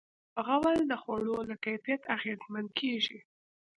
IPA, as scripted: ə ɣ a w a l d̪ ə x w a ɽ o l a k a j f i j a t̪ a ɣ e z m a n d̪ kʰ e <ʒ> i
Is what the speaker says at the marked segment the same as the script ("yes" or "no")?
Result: yes